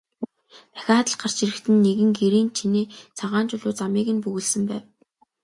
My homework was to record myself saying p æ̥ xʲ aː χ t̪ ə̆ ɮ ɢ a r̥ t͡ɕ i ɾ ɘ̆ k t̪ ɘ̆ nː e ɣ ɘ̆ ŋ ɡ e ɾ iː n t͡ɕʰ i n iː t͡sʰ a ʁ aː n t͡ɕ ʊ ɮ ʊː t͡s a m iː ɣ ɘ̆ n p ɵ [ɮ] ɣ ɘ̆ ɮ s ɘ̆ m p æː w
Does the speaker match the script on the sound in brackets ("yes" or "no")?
no